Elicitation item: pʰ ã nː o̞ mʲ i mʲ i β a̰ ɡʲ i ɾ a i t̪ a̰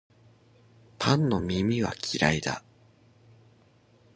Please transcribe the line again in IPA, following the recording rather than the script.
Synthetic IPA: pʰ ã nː o̞ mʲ i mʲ i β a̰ kʲ i ɾ a i d̪ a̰